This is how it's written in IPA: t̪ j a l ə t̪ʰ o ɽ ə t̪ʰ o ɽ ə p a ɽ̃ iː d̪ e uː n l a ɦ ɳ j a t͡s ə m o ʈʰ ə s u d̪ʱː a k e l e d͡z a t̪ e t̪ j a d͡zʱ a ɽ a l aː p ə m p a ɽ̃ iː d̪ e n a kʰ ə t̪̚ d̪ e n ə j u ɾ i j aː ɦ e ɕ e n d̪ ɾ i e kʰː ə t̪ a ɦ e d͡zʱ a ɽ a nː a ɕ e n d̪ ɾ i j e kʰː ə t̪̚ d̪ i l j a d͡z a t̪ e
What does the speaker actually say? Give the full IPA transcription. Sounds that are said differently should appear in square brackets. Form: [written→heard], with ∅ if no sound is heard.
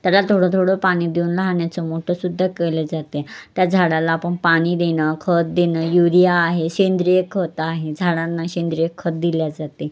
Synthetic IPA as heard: t̪ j a l [ə→a] t̪ʰ o ɽ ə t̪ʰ o ɽ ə p a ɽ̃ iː d̪ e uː n l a ɦ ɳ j a t͡s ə m o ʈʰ ə s u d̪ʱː a k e l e d͡z a t̪ e t̪ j a d͡zʱ a ɽ a l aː p ə [m→ɳ] p a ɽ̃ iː d̪ e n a kʰ ə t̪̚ d̪ e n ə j u ɾ i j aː ɦ e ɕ e n d̪ ɾ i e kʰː ə t̪ a ɦ e d͡zʱ a ɽ a nː a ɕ e n d̪ ɾ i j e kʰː ə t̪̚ d̪ i l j a d͡z a t̪ e

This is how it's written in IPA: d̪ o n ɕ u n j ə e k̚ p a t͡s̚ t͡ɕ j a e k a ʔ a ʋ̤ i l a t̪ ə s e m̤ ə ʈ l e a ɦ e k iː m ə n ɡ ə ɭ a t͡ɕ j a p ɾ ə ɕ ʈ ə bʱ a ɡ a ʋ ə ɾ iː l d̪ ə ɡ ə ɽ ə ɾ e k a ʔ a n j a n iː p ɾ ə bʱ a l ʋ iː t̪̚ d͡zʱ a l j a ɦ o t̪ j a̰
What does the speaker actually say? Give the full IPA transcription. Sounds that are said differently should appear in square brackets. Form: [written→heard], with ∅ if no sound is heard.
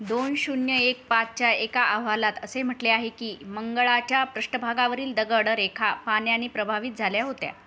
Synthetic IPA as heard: d̪ o n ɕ u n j ə e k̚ p a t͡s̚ t͡ɕ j a e k a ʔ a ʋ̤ [i→a] l a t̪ ə s e m̤ ə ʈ l e a ɦ e k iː m ə [n→ŋ] ɡ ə ɭ a t͡ɕ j a p ɾ ə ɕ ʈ ə bʱ a ɡ a ʋ ə ɾ iː l d̪ ə ɡ ə ɽ ə ɾ e [k→kʰ] a [ʔ→p] a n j a n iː p ɾ ə bʱ a [l→∅] ʋ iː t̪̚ d͡zʱ a l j a ɦ o t̪ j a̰

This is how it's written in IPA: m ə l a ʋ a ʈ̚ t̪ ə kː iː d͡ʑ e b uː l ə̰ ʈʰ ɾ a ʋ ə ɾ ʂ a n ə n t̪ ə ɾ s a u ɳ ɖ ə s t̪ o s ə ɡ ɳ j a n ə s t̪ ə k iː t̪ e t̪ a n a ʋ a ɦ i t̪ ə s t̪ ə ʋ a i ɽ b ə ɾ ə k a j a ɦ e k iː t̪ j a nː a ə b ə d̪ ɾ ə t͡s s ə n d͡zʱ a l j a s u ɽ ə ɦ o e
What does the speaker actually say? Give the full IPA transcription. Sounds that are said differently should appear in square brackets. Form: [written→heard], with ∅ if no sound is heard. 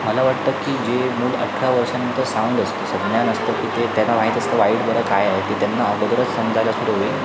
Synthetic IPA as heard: m ə l a ʋ a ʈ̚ t̪ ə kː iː d͡ʑ e [b→m] uː l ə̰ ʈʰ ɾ a ʋ ə ɾ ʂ a n ə n t̪ ə ɾ s a u ɳ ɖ ə s t̪ o s ə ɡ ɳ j a n ə s t̪ ə k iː t̪ e t̪ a n a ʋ a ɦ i t̪ ə s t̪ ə ʋ a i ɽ b ə ɾ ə k a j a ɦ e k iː t̪ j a nː a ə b ə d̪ ɾ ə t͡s s ə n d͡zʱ a l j a s u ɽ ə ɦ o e

